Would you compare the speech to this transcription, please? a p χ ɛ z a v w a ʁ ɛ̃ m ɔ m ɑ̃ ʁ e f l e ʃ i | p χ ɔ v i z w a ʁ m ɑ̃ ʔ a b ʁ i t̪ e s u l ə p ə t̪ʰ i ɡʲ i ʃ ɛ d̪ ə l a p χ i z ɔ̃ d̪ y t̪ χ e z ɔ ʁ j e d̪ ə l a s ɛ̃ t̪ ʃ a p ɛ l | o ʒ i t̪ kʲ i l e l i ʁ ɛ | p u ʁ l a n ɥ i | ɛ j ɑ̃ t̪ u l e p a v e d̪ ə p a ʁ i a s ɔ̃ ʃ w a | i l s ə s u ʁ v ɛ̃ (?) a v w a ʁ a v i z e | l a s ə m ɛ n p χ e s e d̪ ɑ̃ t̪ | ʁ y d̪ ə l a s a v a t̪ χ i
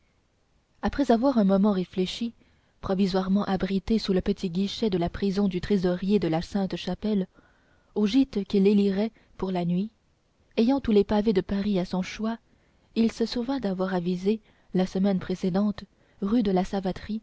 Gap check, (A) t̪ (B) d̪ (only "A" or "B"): B